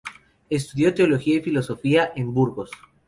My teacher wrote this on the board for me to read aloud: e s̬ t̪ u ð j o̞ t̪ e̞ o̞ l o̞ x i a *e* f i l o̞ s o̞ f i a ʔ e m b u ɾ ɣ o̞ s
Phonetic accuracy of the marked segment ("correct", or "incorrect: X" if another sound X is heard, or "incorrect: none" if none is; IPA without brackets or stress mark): incorrect: i